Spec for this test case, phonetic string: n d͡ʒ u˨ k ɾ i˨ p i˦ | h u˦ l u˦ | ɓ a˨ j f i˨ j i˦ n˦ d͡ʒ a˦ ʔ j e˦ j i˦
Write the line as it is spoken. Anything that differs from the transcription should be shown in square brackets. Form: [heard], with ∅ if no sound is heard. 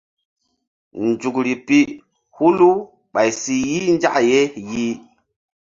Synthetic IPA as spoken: n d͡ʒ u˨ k ɾ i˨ p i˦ | h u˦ l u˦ | ɓ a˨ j [s] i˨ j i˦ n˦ d͡ʒ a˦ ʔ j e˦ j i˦

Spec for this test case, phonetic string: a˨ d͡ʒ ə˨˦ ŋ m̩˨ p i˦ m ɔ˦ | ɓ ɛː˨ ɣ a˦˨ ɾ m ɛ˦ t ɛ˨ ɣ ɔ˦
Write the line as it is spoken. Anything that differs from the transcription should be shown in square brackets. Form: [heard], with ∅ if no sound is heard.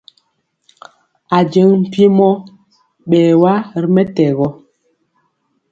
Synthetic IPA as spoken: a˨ d͡ʒ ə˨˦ ŋ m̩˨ p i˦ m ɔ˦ | ɓ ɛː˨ [w] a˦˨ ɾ m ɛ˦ t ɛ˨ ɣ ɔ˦

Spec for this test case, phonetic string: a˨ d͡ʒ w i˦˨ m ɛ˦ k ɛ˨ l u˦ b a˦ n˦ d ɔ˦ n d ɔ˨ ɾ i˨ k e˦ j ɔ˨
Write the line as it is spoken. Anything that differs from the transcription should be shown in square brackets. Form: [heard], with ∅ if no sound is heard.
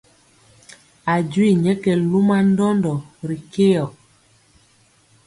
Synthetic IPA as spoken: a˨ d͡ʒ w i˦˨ [ɲ] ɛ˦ k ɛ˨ l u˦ [m] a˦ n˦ d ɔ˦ n d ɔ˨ ɾ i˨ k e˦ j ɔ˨

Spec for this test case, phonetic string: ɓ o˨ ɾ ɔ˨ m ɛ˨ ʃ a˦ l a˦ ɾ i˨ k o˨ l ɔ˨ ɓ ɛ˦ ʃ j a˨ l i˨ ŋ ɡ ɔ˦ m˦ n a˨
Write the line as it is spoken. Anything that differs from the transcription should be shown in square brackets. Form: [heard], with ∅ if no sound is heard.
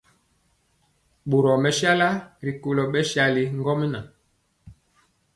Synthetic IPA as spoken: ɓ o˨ ɾ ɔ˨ m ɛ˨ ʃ a˦ l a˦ ɾ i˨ k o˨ l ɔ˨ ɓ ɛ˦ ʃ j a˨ l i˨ ŋ ɡ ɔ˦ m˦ n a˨

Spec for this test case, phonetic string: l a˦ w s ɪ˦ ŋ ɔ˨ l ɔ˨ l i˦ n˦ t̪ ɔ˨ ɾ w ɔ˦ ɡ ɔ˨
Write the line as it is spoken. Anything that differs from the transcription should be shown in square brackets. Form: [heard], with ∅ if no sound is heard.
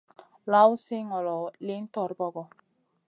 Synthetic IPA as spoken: l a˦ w s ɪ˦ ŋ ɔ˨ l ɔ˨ l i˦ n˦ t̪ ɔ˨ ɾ [b] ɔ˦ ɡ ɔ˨

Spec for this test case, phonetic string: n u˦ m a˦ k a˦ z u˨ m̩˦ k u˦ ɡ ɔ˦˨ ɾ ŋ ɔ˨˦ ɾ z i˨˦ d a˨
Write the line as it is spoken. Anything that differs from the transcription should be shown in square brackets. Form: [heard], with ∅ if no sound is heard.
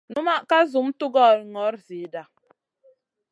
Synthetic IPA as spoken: n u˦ m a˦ k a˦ z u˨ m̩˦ [t] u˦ ɡ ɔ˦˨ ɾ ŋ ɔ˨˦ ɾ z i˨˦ d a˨

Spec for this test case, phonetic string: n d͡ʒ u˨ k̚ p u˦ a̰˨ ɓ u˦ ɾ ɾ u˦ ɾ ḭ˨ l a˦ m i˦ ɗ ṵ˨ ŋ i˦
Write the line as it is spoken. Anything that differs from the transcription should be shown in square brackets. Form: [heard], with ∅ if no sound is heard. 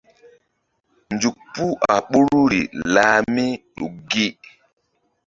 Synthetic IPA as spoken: n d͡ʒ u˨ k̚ p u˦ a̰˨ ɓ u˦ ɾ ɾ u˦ ɾ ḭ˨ l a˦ m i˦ ɗ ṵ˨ [ɡ] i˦

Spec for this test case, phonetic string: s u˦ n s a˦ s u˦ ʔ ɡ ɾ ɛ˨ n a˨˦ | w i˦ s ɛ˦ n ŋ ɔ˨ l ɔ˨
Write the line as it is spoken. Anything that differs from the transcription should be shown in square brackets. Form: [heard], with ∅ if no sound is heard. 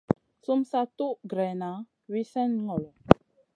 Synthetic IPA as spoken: s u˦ [m] s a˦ [t] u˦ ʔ ɡ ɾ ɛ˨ n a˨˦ | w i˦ s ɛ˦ n ŋ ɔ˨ l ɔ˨

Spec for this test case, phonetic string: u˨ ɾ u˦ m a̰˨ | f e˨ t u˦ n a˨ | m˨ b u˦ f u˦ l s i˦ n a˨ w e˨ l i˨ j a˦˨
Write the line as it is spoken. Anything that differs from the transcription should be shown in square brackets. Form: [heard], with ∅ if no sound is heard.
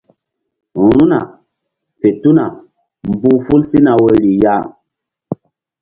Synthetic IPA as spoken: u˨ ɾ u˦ [n] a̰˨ | f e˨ t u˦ n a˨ | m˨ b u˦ f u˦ l s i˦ n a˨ w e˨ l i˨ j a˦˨

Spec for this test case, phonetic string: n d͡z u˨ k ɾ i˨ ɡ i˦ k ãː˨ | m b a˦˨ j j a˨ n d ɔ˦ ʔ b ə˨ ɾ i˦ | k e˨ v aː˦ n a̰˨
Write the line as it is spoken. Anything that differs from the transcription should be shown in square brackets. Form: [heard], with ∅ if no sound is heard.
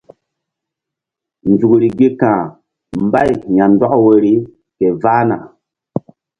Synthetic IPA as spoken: n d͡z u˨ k ɾ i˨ ɡ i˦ k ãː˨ | m b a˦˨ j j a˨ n d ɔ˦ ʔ [w] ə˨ ɾ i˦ | k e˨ v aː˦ n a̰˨

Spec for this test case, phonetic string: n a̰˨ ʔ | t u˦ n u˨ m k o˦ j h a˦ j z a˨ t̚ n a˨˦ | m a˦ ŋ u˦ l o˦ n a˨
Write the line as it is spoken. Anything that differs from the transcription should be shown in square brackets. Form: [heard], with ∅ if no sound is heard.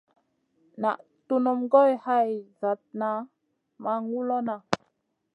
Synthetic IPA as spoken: n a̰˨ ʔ | t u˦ n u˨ m [ɡ] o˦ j h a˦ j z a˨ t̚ n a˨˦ | m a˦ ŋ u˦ l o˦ n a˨

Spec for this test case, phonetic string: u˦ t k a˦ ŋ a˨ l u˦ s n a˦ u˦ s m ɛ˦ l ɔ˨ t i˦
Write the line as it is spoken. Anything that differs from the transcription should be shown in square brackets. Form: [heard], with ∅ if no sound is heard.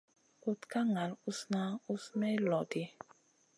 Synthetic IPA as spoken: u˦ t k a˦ ŋ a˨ l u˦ s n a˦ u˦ s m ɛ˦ l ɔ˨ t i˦

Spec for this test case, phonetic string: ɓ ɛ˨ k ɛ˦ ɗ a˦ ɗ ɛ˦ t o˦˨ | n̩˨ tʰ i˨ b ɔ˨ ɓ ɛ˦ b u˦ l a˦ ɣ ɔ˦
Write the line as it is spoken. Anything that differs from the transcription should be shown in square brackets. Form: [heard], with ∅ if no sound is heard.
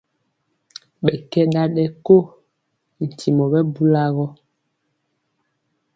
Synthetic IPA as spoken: ɓ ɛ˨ k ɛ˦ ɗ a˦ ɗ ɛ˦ [k] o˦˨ | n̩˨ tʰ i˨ [m] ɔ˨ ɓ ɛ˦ b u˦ l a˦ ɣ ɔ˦

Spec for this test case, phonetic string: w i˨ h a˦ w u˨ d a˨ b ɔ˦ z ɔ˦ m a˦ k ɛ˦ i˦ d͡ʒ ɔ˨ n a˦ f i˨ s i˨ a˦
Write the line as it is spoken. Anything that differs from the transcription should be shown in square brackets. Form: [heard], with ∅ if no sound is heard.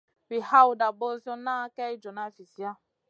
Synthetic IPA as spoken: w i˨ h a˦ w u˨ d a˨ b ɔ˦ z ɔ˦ [n] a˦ k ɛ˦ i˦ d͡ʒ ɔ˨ n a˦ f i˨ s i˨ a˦

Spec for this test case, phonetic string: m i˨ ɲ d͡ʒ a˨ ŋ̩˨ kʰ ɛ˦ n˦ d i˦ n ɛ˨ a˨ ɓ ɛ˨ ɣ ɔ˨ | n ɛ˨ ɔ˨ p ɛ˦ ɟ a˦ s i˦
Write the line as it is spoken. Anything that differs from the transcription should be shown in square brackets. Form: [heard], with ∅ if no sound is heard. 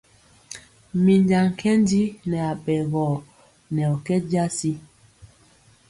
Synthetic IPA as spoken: m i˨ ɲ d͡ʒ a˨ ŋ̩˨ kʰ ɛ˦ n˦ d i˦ n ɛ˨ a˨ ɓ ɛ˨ ɣ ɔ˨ | n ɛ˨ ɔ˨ [k] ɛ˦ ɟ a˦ s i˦

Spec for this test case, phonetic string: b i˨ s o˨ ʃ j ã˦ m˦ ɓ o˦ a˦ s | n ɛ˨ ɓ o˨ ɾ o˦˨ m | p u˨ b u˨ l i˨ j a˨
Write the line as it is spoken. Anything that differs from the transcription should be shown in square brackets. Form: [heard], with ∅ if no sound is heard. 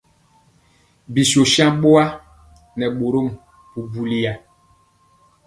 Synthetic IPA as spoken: b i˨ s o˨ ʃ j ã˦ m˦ ɓ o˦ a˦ [∅] | n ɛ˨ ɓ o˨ ɾ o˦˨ m | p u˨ b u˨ l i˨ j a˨

